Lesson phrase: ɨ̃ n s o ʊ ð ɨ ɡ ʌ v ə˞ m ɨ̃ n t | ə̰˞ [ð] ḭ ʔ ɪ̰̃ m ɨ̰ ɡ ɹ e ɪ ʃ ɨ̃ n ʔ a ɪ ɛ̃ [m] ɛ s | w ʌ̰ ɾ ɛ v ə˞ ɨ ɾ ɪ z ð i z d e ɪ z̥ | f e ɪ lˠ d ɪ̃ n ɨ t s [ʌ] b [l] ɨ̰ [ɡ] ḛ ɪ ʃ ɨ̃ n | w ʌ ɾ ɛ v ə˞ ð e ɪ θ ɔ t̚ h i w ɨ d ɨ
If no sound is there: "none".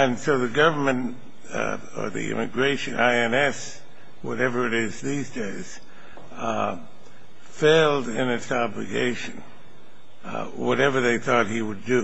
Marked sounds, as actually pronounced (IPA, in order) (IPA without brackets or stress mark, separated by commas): ð, n, ɑ, l, ɡ